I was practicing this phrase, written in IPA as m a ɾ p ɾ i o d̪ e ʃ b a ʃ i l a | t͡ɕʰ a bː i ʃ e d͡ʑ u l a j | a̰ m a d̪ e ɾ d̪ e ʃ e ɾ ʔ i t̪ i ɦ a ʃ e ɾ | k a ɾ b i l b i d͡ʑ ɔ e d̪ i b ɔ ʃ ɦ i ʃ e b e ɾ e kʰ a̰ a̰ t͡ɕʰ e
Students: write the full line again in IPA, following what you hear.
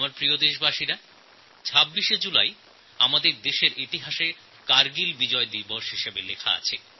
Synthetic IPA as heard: m a ɾ p ɾ i o d̪ e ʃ b a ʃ i ɾ a | t͡ɕʰ a bː i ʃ e d͡ʑ u l a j | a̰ m a d̪ e ɾ d̪ e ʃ e ɾ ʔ i t̪ i ɦ a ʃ e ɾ | k a ɾ ɡ i l b i d͡ʑ ɔ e d̪ i b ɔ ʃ ɦ i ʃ e b e l e kʰ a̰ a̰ t͡ɕʰ e